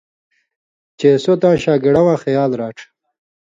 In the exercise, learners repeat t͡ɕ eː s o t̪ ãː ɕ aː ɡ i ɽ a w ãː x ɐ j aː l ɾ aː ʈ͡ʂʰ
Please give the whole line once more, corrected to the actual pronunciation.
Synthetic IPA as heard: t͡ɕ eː s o t̪ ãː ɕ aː ɡ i ɽ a w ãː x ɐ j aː l ɾ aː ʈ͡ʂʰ